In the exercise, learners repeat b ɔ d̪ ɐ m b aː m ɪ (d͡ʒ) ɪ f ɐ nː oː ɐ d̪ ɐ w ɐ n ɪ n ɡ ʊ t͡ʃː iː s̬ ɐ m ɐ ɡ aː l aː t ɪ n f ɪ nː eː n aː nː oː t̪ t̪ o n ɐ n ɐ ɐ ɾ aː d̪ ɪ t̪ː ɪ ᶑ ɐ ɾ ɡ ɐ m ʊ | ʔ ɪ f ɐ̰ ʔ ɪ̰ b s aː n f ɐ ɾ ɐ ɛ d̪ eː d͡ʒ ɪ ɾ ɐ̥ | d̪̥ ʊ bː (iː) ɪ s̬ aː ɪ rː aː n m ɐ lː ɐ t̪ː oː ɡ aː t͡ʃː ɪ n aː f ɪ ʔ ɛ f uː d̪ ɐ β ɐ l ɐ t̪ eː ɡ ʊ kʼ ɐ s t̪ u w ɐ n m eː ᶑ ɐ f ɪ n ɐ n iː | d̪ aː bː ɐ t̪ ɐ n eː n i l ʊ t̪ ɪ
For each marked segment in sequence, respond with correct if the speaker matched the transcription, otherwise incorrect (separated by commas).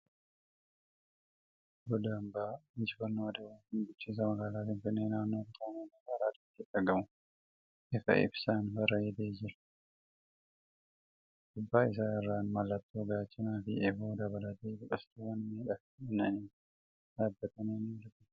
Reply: correct, incorrect